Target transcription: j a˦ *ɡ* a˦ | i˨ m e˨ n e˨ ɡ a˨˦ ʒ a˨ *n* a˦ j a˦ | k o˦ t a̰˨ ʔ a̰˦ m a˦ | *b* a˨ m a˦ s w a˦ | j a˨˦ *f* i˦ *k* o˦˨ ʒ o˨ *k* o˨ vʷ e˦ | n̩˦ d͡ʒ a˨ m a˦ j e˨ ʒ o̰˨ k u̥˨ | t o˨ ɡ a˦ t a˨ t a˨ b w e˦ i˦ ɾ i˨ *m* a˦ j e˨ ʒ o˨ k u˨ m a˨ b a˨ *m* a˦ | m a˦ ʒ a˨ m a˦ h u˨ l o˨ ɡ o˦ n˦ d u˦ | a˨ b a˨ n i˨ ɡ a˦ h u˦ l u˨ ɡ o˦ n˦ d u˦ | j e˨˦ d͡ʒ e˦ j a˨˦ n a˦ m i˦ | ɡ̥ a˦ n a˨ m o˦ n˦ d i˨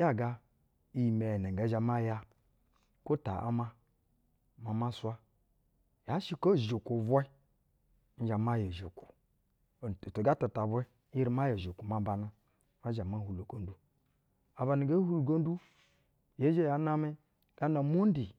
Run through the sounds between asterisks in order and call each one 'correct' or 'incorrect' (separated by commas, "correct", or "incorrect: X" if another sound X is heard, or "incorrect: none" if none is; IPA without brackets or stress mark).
correct, incorrect: m, incorrect: m, incorrect: ʃ, correct, correct, correct, incorrect: n